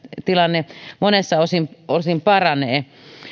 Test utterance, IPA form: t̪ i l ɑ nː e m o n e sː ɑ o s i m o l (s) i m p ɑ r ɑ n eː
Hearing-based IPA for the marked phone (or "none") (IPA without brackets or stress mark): s